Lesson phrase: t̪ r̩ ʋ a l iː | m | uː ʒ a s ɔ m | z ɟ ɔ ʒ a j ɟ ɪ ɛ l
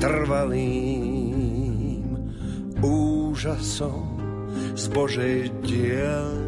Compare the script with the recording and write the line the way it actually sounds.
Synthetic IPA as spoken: t̪ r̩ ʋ a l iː | m | uː ʒ a s ɔ m | z b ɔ ʒ ɛ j ɟ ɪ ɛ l